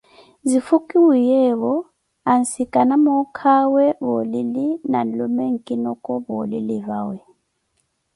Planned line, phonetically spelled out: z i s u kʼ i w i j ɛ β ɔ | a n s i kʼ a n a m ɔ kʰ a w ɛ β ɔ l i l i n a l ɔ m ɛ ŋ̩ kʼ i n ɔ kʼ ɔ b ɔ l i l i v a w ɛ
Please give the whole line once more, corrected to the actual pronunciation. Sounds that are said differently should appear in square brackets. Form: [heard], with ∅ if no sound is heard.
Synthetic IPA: z i [f] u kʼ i w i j ɛ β ɔ | a n s i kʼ a n a m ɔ kʰ a w ɛ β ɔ l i l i n a l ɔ m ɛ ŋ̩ kʼ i n ɔ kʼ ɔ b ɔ l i l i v a w ɛ